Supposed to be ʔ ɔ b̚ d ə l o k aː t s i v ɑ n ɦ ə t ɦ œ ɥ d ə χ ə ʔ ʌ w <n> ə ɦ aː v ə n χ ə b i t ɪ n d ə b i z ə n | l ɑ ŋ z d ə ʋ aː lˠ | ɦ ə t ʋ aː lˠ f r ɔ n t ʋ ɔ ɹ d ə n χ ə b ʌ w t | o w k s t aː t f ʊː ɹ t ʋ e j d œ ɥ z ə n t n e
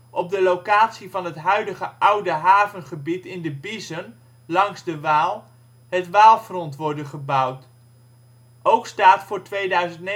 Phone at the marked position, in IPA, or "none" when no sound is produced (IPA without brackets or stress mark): d